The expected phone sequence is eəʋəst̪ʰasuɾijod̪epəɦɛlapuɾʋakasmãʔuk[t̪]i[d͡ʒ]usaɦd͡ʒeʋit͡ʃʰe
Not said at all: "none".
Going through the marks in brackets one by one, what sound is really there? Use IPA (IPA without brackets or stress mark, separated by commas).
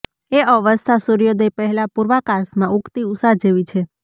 t̪, none